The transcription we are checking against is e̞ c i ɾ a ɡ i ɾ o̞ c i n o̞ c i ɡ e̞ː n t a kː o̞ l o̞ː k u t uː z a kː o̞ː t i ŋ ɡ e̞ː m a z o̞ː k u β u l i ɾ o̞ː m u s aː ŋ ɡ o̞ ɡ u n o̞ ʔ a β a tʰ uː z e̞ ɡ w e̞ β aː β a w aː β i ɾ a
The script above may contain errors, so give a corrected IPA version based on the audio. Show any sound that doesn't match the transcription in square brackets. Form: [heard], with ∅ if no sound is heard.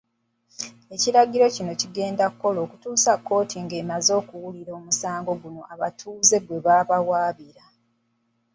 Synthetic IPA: e̞ c i ɾ a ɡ i ɾ o̞ c i n o̞ c i ɡ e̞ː n [d] a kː o̞ l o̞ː k u t uː [s] a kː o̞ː t i ŋ ɡ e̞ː m a z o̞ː k u [w] u l i ɾ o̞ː m u s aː ŋ ɡ o̞ ɡ u n o̞ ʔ a β a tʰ uː z e̞ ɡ w e̞ β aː β a w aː β i ɾ a